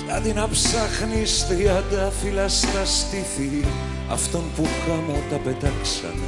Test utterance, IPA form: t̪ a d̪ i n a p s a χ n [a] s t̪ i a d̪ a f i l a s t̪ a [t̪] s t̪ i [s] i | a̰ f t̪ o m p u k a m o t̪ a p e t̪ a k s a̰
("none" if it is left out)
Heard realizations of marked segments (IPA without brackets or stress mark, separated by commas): i, none, θ